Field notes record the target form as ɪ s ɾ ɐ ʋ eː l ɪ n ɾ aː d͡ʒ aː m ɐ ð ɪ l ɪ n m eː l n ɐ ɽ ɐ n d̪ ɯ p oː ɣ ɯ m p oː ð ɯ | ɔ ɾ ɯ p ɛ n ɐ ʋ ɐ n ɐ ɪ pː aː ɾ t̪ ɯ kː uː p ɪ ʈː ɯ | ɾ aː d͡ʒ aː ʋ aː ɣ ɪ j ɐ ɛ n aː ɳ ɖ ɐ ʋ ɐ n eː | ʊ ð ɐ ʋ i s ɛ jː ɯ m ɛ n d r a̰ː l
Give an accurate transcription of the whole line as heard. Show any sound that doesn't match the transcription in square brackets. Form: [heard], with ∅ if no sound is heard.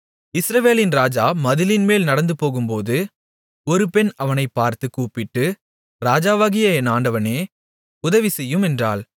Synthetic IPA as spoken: ɪ s ɾ ɐ ʋ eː l ɪ n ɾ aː d͡ʒ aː m ɐ ð ɪ l ɪ n m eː l n ɐ ɽ ɐ n d̪ ɯ p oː ɣ ɯ m p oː ð ɯ | ɔ ɾ ɯ p ɛ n ɐ ʋ ɐ n ɐ ɪ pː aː ɾ t̪ ɯ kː uː p ɪ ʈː ɯ | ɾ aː d͡ʒ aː ʋ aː ɣ ɪ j ɐ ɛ n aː ɳ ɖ ɐ ʋ ɐ n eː | ʊ ð ɐ ʋ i s ɛ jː ɯ m ɛ n d r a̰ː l